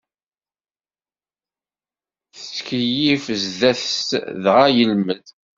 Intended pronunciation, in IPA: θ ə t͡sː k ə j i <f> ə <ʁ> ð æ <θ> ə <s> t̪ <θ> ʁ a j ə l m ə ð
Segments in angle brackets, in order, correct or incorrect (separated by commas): correct, incorrect, correct, correct, incorrect